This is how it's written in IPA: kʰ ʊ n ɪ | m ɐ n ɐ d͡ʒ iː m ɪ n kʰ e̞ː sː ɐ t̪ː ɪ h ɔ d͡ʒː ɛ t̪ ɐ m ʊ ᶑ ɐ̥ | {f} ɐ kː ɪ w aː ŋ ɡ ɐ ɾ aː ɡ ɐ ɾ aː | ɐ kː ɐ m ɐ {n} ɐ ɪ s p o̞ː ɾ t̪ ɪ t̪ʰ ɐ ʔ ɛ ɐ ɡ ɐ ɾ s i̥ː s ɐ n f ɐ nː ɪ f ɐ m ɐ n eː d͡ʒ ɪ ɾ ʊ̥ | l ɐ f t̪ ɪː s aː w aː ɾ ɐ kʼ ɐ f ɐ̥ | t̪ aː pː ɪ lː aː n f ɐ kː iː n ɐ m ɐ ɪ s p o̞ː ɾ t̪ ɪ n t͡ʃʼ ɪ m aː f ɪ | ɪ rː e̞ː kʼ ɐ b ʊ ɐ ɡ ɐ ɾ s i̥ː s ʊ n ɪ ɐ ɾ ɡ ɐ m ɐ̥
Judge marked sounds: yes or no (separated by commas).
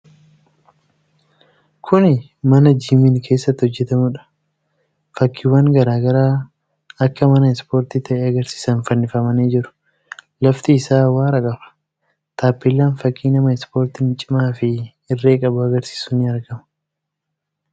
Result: yes, yes